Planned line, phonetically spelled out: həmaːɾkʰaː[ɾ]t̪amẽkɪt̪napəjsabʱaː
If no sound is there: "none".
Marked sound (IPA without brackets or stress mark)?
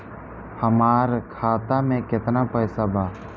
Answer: none